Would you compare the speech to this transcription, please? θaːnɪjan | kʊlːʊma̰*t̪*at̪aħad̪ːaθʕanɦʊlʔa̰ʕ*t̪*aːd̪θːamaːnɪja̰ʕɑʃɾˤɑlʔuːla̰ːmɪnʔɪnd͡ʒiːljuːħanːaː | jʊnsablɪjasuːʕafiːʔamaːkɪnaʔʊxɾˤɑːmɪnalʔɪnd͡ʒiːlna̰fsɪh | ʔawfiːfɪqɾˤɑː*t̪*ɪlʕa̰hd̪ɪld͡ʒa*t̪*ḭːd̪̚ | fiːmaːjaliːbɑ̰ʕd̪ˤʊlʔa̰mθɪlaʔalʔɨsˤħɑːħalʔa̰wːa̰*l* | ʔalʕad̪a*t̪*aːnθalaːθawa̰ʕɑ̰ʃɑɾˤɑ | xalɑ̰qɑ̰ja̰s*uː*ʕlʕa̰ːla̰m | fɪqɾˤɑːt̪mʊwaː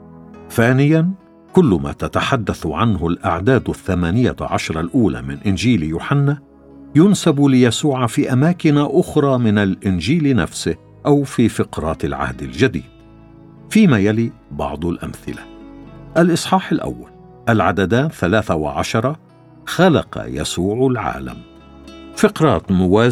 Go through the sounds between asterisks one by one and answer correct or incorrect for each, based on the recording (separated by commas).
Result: correct, incorrect, correct, incorrect, correct, incorrect, correct